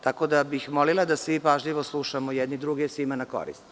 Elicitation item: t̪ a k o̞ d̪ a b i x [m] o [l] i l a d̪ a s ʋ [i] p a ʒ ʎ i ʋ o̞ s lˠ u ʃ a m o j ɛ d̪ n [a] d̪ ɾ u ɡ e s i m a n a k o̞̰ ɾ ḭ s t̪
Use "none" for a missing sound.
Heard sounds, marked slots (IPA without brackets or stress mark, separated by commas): m, l, i, i